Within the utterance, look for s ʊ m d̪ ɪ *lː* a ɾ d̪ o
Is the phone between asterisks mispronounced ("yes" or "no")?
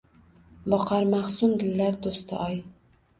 no